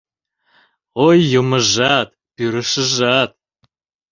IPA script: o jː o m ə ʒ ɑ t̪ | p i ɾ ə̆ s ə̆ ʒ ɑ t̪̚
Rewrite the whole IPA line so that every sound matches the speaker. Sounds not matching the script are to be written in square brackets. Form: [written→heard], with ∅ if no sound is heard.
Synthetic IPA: o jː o m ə ʒ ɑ t̪ | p [i→y] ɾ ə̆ [s→ʃ] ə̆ ʒ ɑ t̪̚